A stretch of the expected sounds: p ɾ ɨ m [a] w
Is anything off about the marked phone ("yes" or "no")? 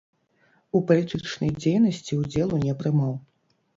no